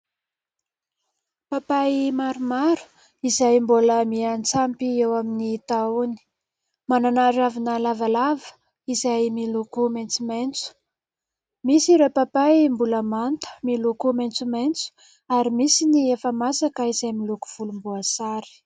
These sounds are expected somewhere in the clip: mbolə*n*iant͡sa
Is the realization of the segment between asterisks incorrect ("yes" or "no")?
yes